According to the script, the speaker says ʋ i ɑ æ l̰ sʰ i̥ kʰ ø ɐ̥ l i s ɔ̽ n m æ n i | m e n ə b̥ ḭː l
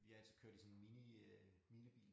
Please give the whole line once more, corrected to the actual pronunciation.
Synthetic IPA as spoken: ʋ i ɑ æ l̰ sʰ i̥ kʰ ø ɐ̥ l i s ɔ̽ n m i n i | m i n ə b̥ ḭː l